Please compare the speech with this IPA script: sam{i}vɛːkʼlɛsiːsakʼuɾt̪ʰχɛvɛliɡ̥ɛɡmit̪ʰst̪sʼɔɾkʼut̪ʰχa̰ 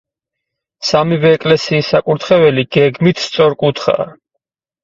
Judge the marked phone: correct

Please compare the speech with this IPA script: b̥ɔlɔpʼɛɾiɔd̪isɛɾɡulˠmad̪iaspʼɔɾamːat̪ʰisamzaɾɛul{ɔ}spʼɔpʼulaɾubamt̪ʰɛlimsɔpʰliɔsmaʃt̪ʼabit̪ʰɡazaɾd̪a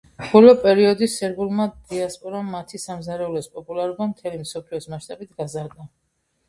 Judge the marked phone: correct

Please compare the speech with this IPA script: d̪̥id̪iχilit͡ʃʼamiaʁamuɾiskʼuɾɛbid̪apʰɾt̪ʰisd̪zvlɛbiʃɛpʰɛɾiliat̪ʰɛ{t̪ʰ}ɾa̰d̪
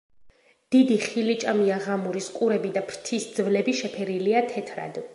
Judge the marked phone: correct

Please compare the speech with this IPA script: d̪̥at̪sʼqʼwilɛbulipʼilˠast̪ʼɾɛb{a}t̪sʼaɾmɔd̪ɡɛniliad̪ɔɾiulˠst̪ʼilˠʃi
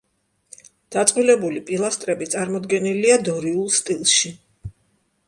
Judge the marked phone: incorrect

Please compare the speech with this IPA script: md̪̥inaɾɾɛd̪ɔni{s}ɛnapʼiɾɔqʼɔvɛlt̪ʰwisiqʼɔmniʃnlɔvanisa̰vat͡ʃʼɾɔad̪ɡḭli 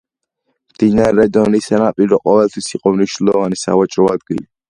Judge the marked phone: correct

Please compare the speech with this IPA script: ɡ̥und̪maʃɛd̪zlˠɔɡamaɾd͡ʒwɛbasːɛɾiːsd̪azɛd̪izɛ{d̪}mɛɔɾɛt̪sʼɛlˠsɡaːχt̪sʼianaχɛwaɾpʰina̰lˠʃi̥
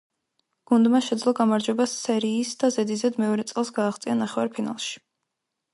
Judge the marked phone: correct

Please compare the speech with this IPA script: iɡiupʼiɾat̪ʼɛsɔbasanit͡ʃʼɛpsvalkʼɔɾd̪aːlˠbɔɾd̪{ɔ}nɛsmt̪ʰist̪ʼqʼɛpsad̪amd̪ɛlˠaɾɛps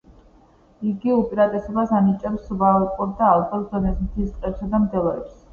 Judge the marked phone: correct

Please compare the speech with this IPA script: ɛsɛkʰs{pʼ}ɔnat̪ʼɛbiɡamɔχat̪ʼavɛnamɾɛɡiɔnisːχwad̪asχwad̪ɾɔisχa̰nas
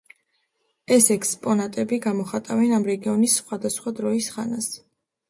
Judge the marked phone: correct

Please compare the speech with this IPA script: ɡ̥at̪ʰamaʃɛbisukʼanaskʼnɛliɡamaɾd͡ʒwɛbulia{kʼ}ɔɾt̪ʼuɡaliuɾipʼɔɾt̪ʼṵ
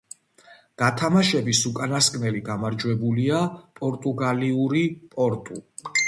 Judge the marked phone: incorrect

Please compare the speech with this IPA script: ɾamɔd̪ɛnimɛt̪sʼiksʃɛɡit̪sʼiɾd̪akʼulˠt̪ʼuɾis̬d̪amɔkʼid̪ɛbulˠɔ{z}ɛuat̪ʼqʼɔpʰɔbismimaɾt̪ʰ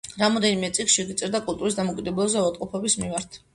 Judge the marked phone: correct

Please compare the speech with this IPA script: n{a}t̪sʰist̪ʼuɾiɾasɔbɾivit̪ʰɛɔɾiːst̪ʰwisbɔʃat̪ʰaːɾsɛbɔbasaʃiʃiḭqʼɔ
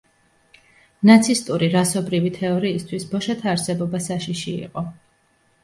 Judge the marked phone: correct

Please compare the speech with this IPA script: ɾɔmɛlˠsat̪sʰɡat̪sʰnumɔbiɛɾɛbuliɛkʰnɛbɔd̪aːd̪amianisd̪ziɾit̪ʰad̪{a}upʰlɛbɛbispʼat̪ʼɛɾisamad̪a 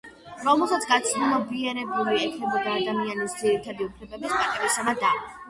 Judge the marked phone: incorrect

